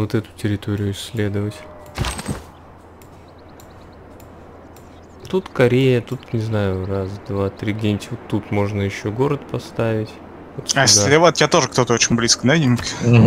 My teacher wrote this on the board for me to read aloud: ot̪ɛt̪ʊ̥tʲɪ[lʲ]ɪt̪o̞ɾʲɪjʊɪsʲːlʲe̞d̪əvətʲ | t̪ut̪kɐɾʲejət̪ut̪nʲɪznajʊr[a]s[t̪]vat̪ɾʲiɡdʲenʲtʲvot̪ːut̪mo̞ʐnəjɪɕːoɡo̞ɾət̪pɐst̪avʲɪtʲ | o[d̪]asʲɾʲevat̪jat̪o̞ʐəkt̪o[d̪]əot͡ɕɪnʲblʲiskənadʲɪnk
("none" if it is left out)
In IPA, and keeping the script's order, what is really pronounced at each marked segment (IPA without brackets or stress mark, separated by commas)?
ɾʲ, a, d̪, t̪, t̪